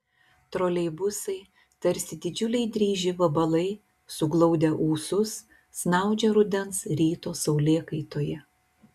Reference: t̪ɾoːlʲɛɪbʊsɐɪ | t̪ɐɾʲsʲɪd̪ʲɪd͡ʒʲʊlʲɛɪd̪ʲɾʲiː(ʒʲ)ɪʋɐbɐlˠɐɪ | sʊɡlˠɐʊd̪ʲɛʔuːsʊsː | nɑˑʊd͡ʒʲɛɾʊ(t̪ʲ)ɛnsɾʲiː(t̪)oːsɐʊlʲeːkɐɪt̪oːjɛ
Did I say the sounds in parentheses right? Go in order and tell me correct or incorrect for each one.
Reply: correct, incorrect: d̪ʲ, correct

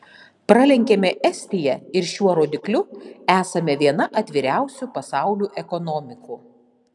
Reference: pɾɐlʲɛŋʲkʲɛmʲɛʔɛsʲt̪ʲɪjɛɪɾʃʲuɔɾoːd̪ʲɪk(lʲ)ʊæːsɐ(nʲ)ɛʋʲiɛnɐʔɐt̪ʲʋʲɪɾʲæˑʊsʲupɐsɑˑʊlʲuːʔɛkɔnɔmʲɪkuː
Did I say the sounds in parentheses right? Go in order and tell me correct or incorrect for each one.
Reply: correct, incorrect: mʲ

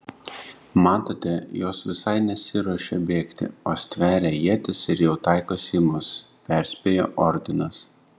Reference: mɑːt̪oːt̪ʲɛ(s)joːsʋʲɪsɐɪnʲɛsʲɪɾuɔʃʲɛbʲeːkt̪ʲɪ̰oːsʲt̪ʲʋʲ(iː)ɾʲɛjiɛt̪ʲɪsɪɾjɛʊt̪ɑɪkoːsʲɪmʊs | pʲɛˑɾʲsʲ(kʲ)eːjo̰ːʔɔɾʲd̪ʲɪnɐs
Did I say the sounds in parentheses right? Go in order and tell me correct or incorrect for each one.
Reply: incorrect: none, incorrect: æː, incorrect: pʲ

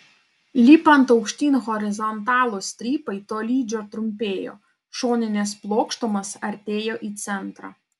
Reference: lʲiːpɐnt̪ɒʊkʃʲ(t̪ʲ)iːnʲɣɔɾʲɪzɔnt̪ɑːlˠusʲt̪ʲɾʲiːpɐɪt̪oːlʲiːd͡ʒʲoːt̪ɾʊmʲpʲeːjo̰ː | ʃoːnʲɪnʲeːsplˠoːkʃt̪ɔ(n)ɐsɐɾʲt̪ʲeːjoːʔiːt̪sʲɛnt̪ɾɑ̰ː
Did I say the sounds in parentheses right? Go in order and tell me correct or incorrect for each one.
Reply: correct, incorrect: m

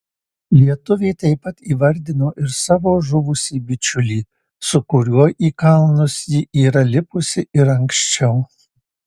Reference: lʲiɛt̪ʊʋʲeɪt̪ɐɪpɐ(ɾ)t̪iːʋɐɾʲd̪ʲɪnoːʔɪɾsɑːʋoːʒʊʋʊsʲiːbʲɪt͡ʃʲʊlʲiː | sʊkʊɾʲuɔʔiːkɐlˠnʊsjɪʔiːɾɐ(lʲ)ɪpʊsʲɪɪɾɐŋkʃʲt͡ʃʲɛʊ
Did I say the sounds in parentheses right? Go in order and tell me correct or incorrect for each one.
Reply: incorrect: none, correct

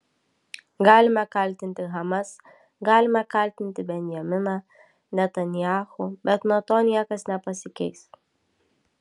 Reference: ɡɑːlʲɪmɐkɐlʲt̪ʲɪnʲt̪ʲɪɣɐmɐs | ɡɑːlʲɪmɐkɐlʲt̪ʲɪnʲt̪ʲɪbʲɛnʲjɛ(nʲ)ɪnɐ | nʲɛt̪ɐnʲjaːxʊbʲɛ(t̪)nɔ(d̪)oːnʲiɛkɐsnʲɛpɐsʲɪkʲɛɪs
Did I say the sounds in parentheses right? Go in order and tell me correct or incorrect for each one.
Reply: incorrect: mʲ, correct, incorrect: t̪

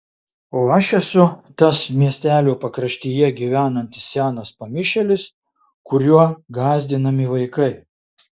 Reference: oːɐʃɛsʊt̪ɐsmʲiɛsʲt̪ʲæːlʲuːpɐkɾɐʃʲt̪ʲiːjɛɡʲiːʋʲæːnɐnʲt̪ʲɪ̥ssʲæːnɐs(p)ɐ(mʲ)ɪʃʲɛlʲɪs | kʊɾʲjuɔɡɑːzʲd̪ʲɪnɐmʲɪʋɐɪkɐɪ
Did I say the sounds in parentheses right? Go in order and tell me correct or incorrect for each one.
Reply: correct, correct

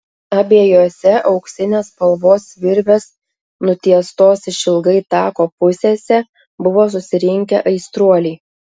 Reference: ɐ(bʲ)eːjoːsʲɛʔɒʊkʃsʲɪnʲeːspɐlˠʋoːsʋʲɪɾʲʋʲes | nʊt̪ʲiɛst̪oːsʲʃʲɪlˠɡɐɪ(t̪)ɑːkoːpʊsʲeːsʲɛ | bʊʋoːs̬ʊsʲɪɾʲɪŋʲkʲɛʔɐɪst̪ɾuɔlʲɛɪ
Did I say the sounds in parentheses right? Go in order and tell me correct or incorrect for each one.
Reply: correct, correct

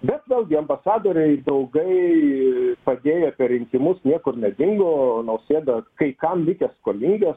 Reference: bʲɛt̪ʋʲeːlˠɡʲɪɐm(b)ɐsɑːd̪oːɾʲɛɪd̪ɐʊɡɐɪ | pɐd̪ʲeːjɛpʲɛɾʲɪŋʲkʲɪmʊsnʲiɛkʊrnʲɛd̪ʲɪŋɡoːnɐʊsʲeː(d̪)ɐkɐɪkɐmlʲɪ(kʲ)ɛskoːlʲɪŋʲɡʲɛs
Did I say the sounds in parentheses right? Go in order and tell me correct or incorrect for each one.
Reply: correct, correct, correct

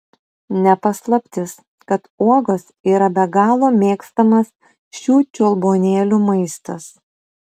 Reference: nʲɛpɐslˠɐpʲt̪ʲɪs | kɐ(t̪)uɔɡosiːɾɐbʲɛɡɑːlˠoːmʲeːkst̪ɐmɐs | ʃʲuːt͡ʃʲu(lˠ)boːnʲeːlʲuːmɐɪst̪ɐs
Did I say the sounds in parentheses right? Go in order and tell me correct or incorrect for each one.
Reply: correct, correct

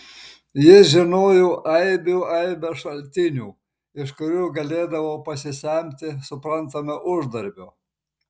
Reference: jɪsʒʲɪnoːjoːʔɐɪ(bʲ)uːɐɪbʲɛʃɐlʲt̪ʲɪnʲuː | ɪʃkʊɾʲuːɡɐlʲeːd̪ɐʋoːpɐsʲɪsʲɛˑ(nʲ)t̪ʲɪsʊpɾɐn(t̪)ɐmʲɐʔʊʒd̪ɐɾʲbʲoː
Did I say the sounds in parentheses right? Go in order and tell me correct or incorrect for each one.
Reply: correct, incorrect: mʲ, correct

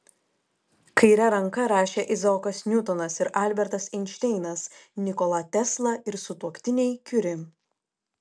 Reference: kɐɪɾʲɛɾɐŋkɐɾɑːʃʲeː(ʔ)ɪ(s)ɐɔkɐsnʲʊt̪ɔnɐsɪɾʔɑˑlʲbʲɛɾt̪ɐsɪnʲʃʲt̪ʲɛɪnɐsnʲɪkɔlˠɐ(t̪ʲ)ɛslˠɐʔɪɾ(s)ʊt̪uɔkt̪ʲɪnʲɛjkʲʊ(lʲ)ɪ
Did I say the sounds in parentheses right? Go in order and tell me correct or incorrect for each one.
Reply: correct, incorrect: z, correct, correct, incorrect: ɾʲ

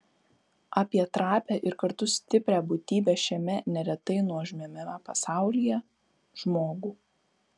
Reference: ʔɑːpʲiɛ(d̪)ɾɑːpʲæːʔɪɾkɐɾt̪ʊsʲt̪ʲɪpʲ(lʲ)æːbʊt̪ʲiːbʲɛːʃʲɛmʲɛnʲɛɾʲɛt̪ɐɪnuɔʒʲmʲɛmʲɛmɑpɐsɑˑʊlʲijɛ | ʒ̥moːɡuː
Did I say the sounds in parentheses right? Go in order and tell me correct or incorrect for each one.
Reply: incorrect: t̪, incorrect: ɾʲ

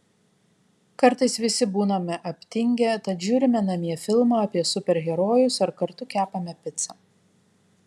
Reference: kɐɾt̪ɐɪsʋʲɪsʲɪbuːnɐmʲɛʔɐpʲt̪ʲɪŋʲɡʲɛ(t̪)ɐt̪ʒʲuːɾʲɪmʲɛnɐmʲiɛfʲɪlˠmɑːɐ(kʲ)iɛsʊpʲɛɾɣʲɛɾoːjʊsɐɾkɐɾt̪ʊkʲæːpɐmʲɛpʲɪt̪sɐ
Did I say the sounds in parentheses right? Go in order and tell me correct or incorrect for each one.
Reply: correct, incorrect: pʲ

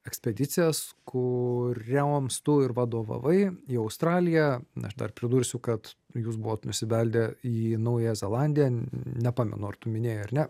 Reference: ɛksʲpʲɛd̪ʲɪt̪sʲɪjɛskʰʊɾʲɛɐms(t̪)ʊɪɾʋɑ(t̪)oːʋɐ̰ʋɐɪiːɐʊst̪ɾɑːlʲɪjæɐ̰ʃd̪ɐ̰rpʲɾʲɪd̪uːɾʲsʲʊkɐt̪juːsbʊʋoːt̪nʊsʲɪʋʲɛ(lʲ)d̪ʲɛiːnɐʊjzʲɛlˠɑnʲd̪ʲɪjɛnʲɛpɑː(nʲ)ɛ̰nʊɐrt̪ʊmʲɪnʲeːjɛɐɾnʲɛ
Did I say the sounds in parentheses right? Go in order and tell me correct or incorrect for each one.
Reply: correct, incorrect: d̪, correct, incorrect: mʲ

